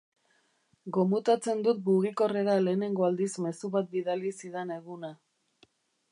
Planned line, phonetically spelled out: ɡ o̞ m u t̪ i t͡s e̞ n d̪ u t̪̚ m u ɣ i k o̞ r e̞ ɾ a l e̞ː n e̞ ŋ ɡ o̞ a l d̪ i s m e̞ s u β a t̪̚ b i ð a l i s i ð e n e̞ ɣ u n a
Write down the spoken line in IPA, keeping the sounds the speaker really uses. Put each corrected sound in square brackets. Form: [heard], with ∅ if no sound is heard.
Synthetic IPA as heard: ɡ o̞ m u t̪ [a] t͡s e̞ n d̪ u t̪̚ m u ɣ i k o̞ r e̞ ɾ a l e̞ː n e̞ ŋ ɡ o̞ a l d̪ i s m e̞ s u β a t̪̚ b i ð a l i s i ð e n e̞ ɣ u n a